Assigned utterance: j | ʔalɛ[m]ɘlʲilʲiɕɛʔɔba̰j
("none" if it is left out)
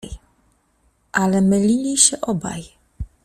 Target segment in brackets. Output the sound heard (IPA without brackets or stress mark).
m